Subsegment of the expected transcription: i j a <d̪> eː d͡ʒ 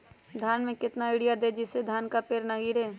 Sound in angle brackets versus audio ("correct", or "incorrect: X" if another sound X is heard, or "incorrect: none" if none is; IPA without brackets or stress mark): correct